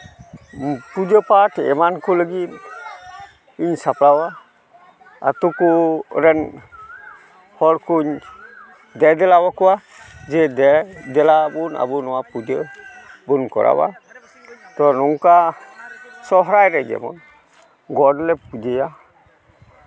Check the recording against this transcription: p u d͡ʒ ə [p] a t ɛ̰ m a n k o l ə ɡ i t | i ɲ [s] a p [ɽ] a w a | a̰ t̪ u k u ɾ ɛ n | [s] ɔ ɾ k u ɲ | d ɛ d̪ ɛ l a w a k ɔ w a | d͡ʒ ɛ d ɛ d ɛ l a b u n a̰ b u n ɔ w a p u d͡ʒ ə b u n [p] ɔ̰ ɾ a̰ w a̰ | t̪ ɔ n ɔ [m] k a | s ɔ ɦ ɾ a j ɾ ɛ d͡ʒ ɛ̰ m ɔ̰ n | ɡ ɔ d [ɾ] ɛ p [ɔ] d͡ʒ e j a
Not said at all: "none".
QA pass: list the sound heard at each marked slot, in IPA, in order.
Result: p, s, l, h, k, ŋ, l, u

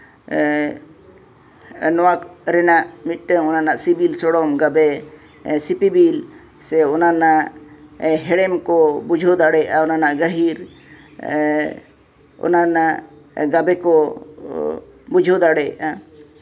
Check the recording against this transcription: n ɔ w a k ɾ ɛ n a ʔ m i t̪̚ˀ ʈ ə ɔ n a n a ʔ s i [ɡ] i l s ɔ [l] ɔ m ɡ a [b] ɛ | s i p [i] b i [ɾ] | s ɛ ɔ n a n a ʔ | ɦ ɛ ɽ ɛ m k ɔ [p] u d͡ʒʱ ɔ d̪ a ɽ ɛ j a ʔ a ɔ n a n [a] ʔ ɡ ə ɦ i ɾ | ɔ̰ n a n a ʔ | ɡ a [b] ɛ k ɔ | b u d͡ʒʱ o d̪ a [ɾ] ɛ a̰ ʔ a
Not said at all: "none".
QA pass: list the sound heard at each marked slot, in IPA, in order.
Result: b, ɽ, b, i, l, b, a, b, ɽ

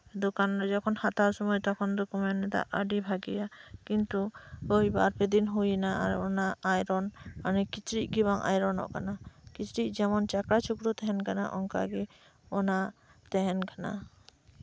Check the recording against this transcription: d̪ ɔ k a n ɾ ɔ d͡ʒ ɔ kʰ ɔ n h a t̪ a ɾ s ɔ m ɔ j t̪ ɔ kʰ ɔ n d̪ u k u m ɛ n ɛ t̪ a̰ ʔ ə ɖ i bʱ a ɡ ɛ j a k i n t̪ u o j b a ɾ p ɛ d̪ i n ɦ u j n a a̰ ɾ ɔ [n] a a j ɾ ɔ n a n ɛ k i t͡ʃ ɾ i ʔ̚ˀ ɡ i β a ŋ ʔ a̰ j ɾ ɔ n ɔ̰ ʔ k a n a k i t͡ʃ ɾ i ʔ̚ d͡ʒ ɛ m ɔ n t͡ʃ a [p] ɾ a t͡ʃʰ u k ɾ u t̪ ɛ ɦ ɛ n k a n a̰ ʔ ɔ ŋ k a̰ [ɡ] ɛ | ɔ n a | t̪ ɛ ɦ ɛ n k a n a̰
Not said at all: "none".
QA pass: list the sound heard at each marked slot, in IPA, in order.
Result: n, k, ɡ

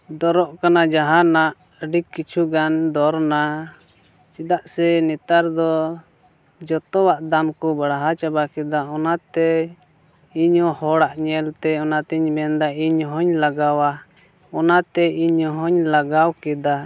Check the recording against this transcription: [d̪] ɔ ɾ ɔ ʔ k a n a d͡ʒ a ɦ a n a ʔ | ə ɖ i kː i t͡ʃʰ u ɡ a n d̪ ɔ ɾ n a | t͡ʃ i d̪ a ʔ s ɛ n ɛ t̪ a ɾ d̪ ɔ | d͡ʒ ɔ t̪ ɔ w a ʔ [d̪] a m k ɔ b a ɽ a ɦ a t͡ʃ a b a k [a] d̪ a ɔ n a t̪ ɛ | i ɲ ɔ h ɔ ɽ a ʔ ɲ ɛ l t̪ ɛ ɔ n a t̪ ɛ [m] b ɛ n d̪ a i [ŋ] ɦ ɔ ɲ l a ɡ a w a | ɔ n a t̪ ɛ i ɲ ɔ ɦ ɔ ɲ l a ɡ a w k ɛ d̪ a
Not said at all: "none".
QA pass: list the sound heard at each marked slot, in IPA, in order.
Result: d̪, d̪, ɛ, ɲ, ɲ

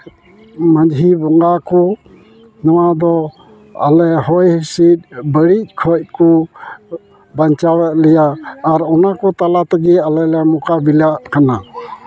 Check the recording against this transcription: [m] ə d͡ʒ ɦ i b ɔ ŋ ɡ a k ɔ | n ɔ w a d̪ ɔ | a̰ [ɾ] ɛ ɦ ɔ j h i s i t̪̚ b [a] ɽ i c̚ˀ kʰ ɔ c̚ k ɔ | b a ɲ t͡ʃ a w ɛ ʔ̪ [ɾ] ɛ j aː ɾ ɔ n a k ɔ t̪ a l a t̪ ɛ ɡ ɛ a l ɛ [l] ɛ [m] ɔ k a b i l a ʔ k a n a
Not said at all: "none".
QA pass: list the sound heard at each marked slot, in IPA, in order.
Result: m, l, ə, l, l, m

